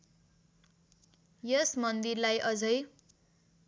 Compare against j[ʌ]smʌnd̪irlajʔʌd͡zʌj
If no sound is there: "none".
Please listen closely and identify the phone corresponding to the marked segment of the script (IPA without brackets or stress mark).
ʌ